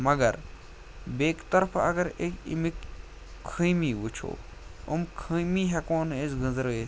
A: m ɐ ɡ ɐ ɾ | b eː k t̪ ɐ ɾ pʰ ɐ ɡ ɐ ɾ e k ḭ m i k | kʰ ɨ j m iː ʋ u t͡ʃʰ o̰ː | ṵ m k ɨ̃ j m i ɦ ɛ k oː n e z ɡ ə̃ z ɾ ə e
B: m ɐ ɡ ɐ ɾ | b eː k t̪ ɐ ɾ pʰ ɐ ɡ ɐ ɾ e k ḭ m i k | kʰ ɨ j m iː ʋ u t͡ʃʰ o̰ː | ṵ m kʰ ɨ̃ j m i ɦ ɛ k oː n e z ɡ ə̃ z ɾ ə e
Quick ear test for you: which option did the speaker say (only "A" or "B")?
B